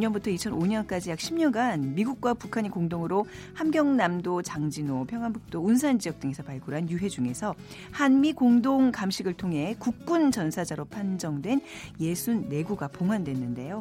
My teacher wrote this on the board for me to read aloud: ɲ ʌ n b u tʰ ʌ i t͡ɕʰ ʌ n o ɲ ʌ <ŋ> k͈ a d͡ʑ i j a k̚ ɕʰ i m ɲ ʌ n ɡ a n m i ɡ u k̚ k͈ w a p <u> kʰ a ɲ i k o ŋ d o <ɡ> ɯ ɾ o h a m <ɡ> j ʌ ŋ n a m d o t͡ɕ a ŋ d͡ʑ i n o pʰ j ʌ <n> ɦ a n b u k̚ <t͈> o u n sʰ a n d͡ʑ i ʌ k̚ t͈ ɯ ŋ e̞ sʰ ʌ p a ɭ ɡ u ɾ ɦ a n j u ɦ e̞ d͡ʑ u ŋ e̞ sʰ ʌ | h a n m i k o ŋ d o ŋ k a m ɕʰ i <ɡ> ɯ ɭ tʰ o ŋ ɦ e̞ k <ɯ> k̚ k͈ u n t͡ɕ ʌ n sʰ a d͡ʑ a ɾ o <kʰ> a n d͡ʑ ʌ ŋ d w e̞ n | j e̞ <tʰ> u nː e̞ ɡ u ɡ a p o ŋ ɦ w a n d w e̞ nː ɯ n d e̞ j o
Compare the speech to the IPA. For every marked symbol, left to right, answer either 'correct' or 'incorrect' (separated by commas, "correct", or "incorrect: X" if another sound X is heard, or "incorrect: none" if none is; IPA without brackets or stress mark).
incorrect: n, correct, incorrect: ŋ, correct, incorrect: ŋ, correct, correct, incorrect: u, incorrect: pʰ, incorrect: sʰ